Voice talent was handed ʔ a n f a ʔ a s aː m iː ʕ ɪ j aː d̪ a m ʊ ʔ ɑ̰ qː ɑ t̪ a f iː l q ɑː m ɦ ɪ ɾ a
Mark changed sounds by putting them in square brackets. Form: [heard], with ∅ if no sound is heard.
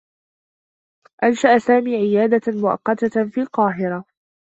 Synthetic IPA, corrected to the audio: ʔ a n [ʃ] a ʔ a s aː m iː ʕ ɪ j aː d̪ a m ʊ ʔ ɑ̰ qː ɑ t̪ a f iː l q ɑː [∅] ɦ ɪ ɾ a